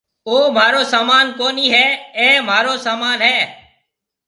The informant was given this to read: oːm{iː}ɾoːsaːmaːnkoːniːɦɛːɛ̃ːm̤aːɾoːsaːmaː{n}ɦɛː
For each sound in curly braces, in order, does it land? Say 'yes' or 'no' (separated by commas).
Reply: no, yes